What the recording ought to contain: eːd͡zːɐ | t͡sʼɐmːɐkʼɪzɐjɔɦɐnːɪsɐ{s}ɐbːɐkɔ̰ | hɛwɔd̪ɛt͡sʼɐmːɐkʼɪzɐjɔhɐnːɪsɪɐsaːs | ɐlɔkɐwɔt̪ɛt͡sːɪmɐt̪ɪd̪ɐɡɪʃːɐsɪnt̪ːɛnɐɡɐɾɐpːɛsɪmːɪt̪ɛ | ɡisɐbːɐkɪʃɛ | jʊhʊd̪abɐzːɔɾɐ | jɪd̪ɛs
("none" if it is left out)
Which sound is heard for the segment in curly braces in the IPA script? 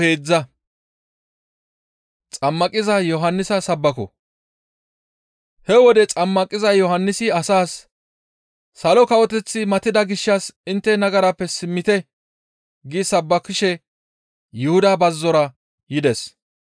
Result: s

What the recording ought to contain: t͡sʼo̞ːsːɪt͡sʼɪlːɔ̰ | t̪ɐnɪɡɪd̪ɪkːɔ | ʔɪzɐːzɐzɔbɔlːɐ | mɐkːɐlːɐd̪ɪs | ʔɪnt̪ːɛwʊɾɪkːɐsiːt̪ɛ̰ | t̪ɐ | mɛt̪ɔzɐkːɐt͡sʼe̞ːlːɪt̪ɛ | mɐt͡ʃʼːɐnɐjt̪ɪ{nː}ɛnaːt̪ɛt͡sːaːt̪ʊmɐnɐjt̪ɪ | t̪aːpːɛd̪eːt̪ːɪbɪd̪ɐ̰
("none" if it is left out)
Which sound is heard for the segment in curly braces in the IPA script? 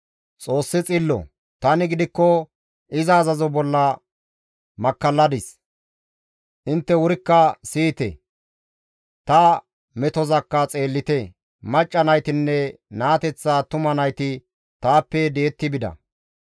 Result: nː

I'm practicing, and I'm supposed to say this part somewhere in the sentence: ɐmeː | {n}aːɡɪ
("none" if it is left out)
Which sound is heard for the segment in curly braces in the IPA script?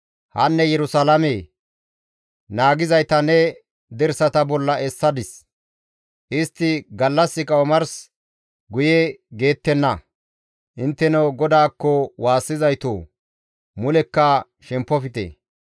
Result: n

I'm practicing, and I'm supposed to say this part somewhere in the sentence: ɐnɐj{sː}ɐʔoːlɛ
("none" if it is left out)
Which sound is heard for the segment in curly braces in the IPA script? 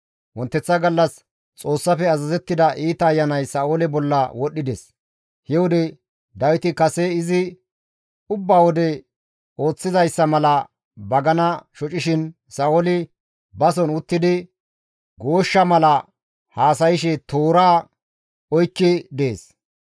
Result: s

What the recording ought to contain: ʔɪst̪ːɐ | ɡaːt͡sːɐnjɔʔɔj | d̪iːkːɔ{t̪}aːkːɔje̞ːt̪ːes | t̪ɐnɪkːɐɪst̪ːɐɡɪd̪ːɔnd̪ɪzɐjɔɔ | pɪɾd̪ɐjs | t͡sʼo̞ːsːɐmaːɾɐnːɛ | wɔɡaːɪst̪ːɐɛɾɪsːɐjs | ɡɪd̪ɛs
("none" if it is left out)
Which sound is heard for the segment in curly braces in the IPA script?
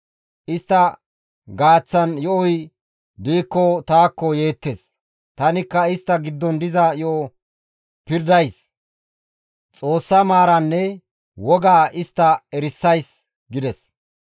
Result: t̪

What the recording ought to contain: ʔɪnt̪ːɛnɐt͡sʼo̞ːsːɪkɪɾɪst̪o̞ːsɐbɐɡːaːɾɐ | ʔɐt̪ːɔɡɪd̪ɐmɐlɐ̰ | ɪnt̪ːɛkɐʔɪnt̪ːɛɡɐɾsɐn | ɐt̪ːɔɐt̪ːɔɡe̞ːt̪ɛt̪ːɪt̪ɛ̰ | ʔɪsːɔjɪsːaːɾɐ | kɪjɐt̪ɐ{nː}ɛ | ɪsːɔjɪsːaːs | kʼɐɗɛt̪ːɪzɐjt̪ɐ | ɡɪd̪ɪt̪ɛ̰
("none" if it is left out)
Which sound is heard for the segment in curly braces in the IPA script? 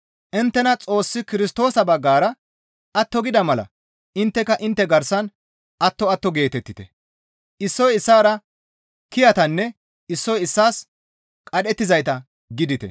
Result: nː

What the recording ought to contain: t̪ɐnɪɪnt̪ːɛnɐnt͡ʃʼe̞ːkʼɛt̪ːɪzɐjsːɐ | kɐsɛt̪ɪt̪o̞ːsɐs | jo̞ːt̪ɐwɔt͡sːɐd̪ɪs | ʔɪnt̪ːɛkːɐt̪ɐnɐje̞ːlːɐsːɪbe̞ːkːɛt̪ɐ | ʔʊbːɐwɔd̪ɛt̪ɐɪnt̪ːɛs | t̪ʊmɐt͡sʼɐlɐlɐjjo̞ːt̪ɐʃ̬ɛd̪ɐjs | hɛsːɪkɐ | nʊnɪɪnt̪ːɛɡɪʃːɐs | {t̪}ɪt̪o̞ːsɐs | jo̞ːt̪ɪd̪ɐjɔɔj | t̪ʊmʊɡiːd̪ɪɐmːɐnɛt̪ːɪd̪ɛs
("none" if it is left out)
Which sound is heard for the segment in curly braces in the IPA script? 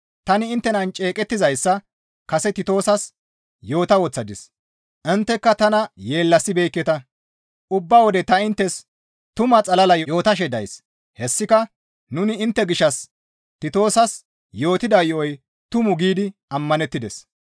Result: t̪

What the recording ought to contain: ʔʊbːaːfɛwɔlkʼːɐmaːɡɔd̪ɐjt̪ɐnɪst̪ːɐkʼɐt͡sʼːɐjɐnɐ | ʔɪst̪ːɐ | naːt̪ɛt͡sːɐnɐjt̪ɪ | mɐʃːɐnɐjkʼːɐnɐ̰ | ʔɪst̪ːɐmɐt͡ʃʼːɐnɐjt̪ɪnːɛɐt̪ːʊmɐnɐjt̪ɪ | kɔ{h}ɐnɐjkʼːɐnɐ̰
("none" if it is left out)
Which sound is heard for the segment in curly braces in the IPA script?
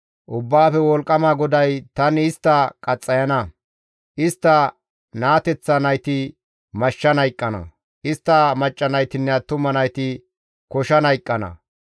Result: ʃ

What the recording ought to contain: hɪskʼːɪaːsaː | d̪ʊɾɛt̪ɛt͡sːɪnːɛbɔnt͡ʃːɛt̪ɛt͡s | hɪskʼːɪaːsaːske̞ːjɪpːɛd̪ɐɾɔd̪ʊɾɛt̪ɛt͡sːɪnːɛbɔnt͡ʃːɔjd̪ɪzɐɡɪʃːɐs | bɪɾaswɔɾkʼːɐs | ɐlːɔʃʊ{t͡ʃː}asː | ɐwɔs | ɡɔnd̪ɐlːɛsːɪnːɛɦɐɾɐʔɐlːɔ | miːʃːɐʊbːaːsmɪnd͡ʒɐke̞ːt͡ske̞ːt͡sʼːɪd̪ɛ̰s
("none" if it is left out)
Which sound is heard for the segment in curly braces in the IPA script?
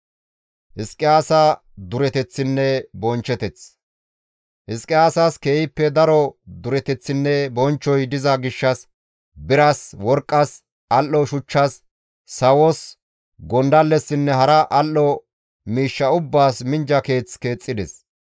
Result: t͡ʃː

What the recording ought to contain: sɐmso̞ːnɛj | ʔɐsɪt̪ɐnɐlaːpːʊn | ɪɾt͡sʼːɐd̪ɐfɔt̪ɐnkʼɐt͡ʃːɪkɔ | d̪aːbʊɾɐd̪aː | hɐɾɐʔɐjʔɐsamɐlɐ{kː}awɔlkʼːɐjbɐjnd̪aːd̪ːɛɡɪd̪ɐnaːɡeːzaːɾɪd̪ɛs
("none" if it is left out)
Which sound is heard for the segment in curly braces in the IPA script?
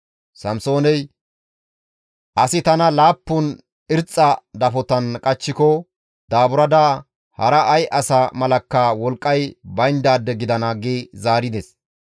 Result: kː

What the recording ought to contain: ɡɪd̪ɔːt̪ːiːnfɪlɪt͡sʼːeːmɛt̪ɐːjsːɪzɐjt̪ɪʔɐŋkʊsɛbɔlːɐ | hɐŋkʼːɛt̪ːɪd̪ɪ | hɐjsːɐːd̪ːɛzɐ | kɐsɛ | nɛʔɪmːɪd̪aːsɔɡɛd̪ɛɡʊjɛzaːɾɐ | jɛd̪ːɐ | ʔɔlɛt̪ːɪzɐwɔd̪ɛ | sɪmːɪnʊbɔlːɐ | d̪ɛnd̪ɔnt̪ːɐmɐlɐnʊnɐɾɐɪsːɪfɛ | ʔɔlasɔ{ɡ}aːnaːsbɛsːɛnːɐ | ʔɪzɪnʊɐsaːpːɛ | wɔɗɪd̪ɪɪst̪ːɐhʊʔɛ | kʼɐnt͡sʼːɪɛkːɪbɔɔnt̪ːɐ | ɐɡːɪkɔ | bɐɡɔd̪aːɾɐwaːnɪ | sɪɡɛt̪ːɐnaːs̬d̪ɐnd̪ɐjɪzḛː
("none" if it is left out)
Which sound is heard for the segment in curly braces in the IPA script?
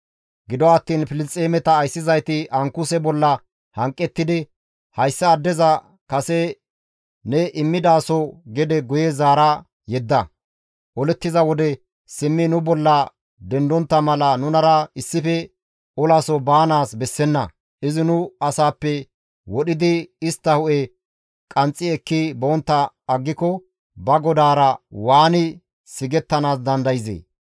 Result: b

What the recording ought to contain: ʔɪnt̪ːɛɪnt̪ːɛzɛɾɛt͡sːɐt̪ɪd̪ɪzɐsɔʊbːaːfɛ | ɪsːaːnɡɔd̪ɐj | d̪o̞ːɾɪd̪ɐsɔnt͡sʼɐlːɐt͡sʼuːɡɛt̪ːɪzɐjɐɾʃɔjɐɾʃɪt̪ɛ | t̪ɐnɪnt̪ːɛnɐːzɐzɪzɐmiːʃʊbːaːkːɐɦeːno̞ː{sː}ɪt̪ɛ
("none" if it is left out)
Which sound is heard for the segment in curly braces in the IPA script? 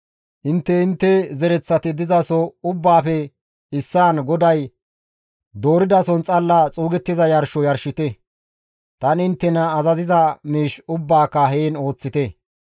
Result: t͡sː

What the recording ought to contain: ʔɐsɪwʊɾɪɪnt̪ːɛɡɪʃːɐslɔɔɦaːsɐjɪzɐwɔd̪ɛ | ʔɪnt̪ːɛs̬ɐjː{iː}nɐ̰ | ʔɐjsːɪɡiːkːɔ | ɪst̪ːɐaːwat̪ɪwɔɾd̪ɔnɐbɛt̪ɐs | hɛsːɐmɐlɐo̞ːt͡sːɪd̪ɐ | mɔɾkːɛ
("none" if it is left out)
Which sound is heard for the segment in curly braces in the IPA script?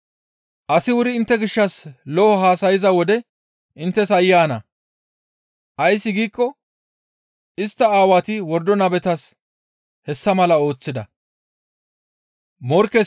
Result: aː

